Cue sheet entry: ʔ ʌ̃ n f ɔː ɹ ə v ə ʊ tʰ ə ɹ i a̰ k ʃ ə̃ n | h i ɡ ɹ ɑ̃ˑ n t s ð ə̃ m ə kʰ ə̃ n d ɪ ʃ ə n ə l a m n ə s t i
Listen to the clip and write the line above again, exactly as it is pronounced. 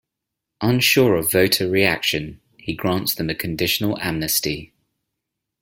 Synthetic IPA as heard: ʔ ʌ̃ n ʃ ɔː ɹ ə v ə ʊ tʰ ə ɹ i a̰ k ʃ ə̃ n | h i ɡ ɹ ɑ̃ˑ n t s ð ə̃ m ə kʰ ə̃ n d ɪ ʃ ə n ə l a m n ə s t i